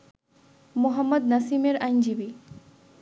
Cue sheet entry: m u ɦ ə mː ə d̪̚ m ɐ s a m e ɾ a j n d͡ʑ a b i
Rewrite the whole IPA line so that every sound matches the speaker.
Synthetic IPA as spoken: m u ɦ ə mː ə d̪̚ n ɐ s i m e ɾ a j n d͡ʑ i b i